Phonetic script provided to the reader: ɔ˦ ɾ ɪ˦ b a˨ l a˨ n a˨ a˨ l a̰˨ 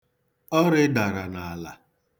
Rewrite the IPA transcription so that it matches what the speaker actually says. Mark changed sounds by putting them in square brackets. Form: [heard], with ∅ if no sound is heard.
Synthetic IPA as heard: ɔ˦ ɾ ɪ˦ [d] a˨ [ɾ] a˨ n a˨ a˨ l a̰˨